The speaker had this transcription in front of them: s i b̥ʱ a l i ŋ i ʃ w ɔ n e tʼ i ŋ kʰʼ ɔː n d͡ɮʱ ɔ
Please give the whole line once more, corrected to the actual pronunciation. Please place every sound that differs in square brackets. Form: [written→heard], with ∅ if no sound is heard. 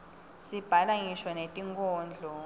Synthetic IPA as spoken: s i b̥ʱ a l [i→a] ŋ i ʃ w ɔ n e tʼ i ŋ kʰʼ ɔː n d͡ɮʱ ɔ